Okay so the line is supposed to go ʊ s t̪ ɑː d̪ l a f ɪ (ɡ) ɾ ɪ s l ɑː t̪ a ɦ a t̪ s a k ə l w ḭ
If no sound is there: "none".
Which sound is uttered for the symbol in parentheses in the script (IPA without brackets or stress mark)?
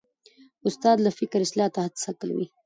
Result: k